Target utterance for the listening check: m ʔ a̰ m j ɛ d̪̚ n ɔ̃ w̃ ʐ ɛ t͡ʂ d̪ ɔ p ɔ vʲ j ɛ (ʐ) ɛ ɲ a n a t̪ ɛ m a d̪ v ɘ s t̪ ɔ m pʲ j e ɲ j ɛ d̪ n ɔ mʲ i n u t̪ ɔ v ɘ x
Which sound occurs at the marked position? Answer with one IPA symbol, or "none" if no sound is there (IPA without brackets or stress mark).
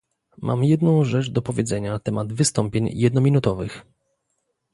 z